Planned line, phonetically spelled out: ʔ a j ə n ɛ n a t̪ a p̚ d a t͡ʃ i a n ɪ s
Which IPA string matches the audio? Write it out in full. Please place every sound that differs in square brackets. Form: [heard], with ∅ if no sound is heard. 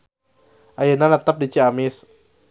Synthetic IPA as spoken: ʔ a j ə n [a] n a t̪ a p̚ d [i] t͡ʃ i a [m] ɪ s